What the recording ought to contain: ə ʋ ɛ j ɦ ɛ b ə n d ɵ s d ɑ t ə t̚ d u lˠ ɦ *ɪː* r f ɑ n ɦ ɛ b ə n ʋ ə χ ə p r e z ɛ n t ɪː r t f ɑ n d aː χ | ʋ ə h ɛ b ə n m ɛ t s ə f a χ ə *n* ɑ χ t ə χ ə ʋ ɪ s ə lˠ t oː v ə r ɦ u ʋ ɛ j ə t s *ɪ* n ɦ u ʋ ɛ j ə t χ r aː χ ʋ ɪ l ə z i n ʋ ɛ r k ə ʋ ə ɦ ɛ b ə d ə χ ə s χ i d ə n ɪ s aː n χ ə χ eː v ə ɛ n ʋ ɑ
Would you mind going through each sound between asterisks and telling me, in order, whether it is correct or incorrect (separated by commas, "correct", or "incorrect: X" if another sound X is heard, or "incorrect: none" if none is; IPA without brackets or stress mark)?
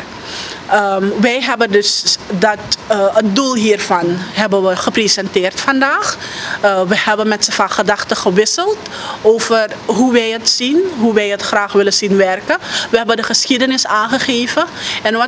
incorrect: iː, incorrect: d, incorrect: i